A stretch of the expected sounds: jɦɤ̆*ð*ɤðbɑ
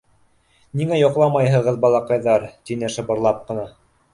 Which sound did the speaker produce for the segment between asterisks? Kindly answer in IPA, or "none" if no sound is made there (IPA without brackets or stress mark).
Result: ʁ